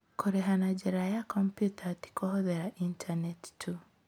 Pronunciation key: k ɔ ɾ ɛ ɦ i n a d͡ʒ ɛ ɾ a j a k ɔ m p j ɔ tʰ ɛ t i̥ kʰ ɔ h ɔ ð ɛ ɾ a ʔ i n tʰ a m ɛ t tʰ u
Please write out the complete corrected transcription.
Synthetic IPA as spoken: k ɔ ɾ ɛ ɦ a n a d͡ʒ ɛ ɾ a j a k ɔ m p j u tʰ a t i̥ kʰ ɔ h ɔ ð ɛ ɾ a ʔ i n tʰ a n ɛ t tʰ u